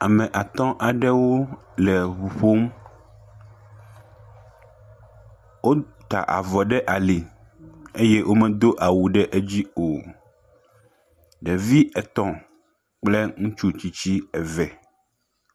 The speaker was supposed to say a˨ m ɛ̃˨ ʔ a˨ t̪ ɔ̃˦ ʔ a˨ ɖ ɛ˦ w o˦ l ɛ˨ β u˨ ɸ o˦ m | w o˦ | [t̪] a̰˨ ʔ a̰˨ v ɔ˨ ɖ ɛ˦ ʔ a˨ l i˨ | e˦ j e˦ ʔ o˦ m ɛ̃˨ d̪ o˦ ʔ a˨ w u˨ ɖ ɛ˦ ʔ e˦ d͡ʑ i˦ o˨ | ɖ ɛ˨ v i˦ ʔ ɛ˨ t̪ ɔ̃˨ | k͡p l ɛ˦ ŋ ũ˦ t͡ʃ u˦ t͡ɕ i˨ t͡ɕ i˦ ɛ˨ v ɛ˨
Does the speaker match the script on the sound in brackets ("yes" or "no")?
yes